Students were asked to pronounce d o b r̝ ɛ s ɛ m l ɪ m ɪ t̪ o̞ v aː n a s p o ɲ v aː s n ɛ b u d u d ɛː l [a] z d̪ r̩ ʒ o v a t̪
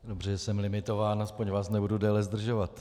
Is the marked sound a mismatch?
yes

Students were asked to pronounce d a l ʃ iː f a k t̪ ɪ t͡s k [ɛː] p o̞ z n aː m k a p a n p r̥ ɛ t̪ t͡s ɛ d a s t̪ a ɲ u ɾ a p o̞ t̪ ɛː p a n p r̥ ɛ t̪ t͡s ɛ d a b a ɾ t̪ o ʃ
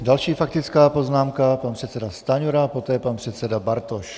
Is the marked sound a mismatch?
yes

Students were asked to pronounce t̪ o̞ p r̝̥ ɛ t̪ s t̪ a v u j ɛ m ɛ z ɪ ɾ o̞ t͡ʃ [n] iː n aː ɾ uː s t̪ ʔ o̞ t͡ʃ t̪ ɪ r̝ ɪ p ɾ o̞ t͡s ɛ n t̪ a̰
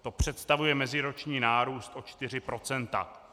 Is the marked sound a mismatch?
yes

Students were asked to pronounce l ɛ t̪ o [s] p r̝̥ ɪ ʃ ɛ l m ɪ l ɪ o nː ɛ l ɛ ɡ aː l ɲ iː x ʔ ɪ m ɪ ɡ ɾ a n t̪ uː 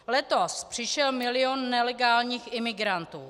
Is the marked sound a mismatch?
no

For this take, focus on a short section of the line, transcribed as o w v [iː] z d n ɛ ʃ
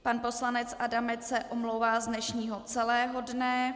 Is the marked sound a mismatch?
yes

